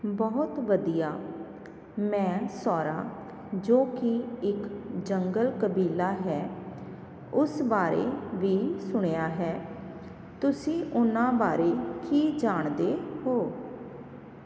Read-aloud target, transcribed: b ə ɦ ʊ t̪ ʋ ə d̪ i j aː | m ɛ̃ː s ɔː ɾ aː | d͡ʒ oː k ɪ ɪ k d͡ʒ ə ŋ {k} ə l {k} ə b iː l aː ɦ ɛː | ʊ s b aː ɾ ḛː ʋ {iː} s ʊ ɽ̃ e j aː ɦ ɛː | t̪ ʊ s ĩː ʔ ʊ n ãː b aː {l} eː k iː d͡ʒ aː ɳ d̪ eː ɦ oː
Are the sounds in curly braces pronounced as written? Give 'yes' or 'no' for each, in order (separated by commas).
no, yes, yes, no